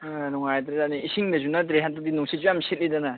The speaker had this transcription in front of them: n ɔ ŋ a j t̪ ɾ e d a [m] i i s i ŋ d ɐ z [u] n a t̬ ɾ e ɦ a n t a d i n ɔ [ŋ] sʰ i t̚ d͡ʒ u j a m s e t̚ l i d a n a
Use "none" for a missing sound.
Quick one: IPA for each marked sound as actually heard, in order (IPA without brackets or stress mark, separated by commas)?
n, u, ŋ